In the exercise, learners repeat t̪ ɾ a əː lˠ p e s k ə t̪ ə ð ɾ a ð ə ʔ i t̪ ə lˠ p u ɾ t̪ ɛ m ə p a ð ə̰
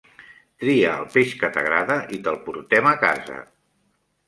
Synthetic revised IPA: t̪ ɾ i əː lˠ p e ʃ k ə t̪ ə ɣ ɾ a ð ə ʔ i t̪ ə lˠ p u ɾ t̪ ɛ m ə k a z ə̰